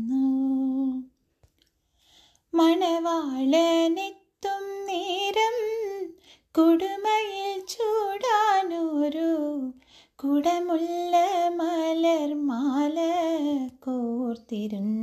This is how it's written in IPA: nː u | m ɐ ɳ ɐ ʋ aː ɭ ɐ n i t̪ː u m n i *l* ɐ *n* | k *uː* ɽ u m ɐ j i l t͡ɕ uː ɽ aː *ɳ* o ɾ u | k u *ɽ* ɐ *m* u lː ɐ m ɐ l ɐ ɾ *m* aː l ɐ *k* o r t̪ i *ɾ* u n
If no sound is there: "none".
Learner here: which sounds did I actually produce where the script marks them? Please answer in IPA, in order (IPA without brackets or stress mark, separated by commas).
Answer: ɾ, m, u, n, ɽ, m, m, k, ɾ